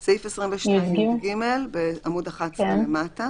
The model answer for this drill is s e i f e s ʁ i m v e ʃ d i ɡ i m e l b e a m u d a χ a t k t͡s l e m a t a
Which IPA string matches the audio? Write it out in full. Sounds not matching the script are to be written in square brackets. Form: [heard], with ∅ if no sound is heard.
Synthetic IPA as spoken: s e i f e s ʁ i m v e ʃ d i ɡ i m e l b e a m u d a χ a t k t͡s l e m a t a